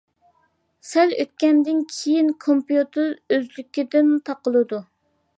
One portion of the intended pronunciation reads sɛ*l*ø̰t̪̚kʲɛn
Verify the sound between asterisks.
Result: correct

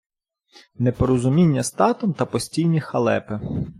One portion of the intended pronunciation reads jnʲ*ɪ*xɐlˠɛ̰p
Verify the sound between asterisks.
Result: incorrect: i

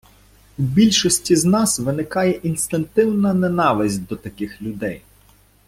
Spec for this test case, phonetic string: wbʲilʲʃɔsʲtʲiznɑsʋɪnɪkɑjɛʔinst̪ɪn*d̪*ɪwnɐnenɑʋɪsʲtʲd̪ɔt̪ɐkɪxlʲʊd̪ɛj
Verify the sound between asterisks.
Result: incorrect: t̪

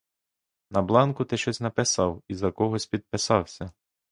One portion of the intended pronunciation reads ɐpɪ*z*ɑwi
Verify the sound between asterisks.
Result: incorrect: s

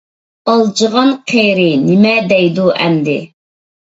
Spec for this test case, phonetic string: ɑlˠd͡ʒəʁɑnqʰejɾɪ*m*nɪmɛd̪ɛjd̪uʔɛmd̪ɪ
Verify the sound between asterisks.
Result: incorrect: none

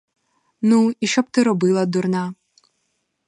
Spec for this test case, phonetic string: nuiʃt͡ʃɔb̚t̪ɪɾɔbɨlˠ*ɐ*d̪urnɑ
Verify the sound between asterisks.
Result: correct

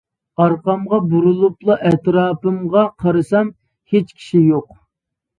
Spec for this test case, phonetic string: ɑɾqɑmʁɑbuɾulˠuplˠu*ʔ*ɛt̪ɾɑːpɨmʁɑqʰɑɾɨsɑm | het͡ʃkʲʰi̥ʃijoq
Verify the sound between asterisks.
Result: correct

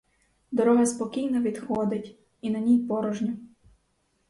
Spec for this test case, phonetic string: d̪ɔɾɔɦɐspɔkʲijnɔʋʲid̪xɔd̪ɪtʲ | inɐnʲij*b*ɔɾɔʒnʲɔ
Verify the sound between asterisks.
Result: incorrect: p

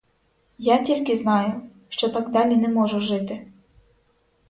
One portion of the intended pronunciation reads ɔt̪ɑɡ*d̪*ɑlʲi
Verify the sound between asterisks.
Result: correct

